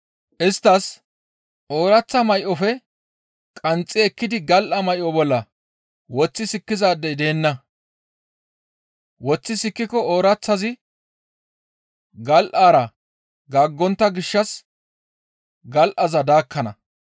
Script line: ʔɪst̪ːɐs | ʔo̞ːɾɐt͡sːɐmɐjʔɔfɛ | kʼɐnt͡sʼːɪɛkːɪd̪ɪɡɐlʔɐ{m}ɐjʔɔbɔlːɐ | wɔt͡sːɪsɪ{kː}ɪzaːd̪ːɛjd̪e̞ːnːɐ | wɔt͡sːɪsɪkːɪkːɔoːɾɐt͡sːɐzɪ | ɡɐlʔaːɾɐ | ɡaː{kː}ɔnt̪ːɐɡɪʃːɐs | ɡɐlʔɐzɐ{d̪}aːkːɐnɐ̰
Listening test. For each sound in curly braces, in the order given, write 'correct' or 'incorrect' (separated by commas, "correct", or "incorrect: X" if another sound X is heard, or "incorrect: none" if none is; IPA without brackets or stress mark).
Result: correct, correct, incorrect: ɡː, correct